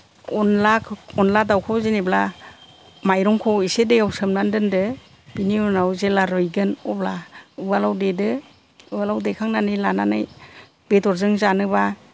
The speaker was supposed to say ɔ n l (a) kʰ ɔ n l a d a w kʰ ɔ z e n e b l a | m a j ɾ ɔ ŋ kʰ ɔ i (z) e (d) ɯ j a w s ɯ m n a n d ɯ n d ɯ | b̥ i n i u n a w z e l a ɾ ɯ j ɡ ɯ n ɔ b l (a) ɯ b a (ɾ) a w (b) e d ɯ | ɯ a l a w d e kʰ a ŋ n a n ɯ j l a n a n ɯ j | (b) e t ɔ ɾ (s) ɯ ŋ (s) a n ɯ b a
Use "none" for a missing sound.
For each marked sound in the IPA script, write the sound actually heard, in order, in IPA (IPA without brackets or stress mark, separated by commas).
a, s, d, a, l, d, b, z, z